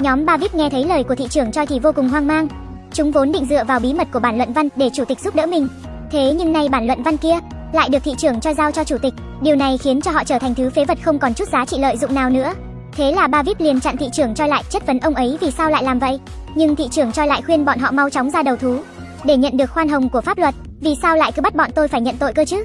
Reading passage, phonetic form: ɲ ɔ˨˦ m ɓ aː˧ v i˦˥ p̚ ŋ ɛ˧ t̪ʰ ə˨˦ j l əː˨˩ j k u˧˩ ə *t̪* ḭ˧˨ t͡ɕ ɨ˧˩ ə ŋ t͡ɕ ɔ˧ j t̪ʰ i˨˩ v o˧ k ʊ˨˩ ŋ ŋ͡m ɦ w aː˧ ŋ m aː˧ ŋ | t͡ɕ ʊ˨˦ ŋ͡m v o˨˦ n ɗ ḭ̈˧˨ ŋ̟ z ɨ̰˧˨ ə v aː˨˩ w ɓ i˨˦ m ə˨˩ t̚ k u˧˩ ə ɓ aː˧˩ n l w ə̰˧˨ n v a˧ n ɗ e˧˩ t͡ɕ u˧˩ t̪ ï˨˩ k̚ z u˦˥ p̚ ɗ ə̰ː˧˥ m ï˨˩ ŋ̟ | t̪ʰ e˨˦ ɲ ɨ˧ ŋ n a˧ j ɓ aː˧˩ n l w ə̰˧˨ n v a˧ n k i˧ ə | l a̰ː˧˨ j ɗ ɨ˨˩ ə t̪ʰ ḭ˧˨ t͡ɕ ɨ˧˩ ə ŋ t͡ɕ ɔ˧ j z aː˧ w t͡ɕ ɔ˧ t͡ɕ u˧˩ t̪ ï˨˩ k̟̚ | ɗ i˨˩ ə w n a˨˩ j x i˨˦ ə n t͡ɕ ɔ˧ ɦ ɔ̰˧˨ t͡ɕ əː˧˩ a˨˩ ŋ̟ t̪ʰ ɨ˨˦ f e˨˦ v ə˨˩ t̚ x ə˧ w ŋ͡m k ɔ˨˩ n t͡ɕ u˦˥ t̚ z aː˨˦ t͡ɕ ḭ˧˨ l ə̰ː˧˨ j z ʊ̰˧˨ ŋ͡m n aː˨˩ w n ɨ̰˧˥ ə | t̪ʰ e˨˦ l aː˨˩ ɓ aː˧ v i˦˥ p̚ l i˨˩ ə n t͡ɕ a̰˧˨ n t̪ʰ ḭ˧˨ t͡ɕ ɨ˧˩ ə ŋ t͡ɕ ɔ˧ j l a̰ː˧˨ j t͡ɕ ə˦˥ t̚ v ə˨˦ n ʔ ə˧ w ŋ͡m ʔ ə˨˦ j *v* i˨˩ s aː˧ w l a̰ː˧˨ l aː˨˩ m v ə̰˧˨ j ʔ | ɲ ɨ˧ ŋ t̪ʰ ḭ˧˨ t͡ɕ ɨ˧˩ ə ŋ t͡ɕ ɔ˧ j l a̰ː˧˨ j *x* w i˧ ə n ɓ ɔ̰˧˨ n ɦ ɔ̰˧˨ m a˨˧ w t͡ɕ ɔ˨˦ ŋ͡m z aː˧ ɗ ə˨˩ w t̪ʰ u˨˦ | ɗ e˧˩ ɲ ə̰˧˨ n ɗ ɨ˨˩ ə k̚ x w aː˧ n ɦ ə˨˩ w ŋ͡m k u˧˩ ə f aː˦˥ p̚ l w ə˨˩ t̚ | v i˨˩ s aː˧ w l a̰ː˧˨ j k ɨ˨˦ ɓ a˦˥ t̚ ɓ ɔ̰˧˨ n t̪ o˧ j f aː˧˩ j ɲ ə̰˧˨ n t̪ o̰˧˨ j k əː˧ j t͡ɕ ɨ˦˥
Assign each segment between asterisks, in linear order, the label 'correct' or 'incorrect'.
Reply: correct, correct, correct

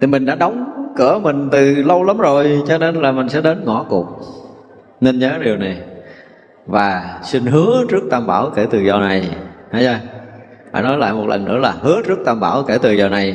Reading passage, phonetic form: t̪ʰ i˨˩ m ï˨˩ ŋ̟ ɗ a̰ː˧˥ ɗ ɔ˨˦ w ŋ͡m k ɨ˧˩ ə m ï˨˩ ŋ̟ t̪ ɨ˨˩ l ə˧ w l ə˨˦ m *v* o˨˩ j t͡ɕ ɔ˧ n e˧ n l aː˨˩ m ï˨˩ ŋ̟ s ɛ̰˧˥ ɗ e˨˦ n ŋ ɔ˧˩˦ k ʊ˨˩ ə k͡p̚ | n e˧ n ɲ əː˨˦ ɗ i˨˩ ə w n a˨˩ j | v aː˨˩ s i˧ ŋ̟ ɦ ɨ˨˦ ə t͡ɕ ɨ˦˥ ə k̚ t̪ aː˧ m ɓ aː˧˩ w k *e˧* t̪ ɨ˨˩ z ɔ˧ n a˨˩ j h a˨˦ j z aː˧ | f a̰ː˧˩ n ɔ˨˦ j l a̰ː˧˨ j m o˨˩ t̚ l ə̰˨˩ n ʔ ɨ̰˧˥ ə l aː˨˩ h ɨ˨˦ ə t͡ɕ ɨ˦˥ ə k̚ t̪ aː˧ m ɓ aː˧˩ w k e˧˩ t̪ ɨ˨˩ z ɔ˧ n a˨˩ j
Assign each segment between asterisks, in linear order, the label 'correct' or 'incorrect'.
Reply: incorrect: z, incorrect: e˧˩

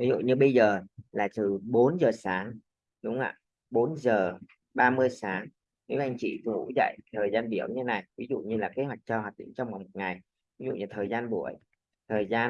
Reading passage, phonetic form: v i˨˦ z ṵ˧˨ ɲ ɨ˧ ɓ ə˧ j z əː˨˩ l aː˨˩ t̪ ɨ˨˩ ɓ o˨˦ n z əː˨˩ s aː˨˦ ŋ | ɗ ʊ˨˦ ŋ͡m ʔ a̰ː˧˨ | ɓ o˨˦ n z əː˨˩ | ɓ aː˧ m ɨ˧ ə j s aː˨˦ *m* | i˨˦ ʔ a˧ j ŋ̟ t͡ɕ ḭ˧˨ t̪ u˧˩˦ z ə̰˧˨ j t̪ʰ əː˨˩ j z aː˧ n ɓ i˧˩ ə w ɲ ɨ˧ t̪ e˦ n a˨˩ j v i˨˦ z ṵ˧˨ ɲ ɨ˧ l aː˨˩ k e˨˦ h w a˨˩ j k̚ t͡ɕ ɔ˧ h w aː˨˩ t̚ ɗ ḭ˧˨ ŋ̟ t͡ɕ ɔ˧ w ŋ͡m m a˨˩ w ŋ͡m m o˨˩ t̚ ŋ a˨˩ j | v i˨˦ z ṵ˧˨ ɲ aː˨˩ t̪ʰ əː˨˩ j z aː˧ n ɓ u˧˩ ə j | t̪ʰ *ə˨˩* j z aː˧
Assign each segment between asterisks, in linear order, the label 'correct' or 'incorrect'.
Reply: incorrect: ŋ, incorrect: əː˨˩

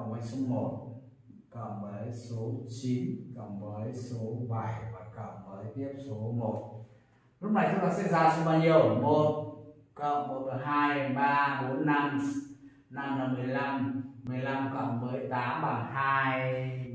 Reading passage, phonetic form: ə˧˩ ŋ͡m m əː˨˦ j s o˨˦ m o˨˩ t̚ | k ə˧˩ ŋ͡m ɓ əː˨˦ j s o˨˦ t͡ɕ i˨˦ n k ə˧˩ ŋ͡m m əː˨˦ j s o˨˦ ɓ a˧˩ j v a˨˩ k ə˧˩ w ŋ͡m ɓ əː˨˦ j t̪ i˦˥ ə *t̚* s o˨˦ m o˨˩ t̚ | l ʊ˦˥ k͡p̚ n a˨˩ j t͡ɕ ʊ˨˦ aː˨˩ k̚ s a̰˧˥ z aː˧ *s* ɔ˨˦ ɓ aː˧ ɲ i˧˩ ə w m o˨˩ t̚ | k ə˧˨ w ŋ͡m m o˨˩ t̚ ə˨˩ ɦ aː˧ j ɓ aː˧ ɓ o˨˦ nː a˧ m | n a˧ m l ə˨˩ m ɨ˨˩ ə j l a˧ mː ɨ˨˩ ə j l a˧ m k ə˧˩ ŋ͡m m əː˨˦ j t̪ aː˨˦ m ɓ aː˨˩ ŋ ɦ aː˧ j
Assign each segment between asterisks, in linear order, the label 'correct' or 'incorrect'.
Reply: incorrect: p̚, correct

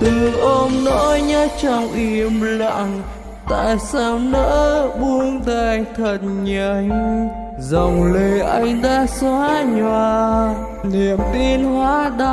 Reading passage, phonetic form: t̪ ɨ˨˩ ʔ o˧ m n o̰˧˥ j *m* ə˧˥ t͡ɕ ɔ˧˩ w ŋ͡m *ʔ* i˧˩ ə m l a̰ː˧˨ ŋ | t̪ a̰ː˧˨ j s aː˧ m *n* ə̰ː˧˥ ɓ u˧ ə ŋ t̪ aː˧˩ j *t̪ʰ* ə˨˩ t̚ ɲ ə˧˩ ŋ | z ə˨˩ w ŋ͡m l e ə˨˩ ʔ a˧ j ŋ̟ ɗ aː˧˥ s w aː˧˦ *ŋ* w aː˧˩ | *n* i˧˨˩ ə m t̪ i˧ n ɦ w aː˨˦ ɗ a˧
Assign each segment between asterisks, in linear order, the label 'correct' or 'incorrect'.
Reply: incorrect: ɲ, correct, correct, correct, incorrect: ɲ, correct

